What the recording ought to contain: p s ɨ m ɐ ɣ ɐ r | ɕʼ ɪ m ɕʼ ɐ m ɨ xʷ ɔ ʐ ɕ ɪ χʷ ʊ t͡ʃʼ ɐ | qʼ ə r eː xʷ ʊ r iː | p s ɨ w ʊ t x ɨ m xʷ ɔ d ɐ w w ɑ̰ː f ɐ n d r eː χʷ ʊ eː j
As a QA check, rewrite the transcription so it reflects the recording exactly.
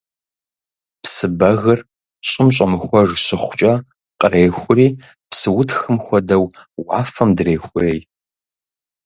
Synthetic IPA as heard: p s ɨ b ɐ ɣ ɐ r | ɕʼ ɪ m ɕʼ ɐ m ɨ xʷ ɔ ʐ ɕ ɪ χʷ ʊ t͡ʃʼ ɐ | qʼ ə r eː xʷ ʊ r iː | p s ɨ w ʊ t x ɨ m xʷ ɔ d ɐ w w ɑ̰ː f ɐ m d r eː xʷ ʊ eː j